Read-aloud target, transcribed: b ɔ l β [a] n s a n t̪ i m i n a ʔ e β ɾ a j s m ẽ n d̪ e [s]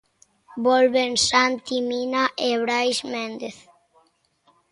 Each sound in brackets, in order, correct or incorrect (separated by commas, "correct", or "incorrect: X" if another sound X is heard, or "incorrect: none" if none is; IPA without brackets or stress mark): incorrect: e, incorrect: θ